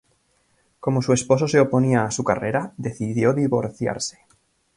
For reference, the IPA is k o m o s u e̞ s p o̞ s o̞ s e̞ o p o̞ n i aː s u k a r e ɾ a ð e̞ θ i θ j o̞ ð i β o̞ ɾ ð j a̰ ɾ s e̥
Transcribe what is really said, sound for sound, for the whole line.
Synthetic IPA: k o m o s u e̞ s p o̞ s o̞ s e̞ o p o̞ n i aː s u k a r e ɾ a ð e̞ θ i ð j o̞ ð i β o̞ ɾ θ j a̰ ɾ s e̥